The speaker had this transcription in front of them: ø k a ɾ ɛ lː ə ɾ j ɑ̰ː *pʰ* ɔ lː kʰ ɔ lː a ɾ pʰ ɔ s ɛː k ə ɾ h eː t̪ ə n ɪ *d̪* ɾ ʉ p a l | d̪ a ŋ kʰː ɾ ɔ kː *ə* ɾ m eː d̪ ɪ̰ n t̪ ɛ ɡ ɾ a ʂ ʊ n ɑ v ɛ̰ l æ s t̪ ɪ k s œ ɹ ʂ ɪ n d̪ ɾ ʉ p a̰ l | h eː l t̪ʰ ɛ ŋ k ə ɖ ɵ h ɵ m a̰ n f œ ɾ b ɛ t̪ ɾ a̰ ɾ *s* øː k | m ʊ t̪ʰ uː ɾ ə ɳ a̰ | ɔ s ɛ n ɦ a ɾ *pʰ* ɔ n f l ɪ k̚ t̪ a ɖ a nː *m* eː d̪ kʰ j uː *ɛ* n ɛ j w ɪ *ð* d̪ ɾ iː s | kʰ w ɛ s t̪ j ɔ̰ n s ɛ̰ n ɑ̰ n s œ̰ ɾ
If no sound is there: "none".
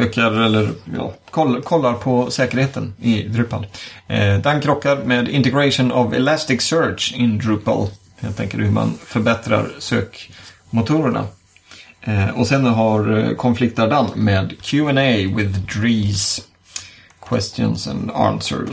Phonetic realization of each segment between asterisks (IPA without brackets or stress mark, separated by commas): kʰ, d̪, a, s, kʰ, m, ɛ, ð